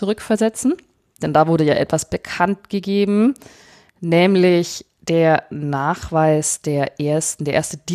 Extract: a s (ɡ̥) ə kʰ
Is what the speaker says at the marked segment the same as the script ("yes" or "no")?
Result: no